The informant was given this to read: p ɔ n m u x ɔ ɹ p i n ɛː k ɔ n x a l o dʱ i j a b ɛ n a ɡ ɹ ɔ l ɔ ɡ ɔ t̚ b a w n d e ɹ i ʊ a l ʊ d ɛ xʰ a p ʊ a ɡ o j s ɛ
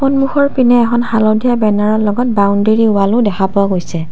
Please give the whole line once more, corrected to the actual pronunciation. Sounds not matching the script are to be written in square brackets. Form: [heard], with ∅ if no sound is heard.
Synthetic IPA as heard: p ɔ n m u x ɔ ɹ p i n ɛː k ɔ n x a l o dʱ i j a b ɛ n a [∅] ɹ ɔ l ɔ ɡ ɔ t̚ b a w n d e ɹ i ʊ a l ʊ d ɛ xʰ a p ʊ a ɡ o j s ɛ